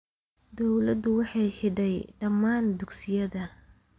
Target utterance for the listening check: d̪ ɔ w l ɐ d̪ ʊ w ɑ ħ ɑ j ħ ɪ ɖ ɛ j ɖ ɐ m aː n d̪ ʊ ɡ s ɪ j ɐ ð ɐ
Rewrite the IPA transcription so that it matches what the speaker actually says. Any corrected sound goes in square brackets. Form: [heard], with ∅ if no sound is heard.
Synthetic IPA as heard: d̪ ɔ w l ɐ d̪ ʊ w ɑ ħ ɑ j ħ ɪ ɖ ɛ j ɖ ɐ m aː n d̪ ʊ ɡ s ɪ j ɐ ð ɐ